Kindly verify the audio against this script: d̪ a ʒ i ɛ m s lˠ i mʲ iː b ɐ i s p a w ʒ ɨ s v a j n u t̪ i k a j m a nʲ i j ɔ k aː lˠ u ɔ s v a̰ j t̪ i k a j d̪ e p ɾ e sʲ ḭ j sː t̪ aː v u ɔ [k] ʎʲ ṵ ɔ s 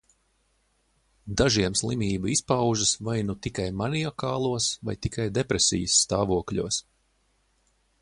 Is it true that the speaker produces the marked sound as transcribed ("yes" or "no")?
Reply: yes